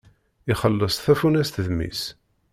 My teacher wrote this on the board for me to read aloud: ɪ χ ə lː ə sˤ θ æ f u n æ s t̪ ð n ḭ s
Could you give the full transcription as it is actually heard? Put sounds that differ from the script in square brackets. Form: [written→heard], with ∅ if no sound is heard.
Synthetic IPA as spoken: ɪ χ ə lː ə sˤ θ æ f u n æ s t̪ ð [n→m] ḭ s